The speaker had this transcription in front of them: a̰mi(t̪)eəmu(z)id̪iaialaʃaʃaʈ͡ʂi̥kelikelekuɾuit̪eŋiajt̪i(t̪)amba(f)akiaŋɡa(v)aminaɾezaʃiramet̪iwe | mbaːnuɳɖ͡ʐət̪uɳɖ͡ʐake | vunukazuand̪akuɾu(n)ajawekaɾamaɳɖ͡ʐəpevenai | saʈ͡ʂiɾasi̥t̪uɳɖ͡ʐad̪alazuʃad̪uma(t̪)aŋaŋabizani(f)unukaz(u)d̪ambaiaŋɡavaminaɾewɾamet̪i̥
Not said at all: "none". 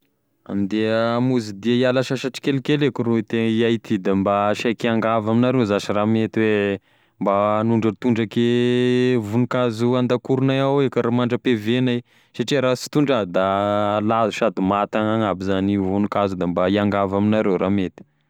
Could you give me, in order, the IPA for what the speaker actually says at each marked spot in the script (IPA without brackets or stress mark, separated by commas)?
d̪, z, d̪, ʃ, v, n, t̪, v, u